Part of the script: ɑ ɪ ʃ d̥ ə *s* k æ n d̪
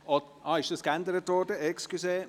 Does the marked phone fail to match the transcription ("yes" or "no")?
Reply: no